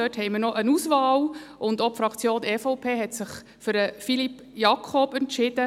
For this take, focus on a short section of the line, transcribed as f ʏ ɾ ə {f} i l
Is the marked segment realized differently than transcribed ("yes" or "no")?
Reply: no